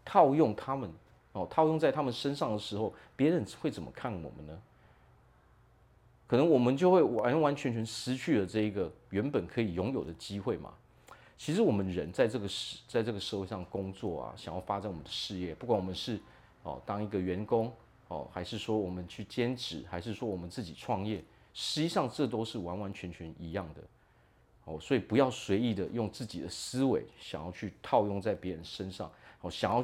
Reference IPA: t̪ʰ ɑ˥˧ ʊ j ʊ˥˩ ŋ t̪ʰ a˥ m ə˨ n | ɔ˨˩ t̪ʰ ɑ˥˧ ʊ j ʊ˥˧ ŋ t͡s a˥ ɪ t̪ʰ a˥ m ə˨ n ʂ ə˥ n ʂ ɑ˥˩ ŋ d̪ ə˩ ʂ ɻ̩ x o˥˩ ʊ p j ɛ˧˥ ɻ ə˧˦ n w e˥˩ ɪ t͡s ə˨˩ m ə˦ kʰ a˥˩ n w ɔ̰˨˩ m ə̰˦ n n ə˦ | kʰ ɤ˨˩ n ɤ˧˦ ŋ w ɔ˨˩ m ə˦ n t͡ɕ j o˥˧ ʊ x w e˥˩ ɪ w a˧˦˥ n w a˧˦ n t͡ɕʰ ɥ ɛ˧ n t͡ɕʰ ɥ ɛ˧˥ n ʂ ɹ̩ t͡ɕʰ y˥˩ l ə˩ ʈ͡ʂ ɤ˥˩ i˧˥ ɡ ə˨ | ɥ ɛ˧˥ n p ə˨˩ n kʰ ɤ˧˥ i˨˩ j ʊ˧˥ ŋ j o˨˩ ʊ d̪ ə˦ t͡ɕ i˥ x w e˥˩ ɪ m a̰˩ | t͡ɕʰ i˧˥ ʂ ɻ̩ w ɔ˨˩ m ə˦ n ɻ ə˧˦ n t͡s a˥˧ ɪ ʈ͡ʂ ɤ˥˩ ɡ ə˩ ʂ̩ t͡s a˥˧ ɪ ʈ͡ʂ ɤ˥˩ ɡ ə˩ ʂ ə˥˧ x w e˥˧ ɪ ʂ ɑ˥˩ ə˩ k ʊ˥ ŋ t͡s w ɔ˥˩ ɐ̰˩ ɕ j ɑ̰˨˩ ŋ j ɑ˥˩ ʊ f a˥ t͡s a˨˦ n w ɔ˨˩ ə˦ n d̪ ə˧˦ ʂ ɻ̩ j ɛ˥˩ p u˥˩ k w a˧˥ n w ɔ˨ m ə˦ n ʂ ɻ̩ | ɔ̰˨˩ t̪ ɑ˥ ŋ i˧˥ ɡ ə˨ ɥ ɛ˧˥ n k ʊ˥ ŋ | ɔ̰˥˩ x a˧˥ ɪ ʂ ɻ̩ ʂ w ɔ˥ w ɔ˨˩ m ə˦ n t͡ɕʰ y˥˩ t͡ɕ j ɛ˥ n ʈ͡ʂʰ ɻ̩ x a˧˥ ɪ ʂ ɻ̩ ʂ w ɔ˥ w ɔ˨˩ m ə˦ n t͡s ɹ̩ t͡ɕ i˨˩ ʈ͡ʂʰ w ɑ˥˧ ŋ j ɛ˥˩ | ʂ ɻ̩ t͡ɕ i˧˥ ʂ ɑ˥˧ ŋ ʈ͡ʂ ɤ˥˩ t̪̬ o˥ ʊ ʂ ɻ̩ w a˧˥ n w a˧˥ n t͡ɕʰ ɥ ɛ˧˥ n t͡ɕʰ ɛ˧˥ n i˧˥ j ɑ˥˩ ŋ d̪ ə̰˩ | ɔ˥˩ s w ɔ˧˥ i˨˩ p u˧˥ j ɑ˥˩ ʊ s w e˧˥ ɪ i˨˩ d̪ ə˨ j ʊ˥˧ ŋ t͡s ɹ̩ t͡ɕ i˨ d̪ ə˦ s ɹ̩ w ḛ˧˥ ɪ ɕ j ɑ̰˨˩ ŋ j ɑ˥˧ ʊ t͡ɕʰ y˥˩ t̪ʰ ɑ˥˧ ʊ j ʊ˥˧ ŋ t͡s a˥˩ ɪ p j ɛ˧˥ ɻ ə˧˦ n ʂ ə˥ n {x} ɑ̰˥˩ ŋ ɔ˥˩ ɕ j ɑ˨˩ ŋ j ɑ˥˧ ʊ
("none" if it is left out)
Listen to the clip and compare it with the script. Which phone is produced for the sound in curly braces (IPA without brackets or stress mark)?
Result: ʂ